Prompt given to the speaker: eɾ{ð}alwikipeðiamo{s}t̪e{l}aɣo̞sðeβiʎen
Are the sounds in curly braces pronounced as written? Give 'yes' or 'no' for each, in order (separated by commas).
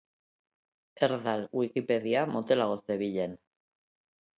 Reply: yes, no, yes